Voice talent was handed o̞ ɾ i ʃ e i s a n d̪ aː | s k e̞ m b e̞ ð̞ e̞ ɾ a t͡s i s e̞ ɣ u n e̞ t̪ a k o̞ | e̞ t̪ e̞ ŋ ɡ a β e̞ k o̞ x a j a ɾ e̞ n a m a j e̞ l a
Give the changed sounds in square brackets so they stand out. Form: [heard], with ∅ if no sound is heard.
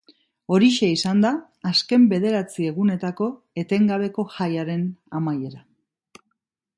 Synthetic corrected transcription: o̞ ɾ i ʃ e i s a n d̪ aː | s k e̞ m b e̞ ð̞ e̞ ɾ a t͡s i [∅] e̞ ɣ u n e̞ t̪ a k o̞ | e̞ t̪ e̞ ŋ ɡ a β e̞ k o̞ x a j a ɾ e̞ n a m a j e̞ [ɾ] a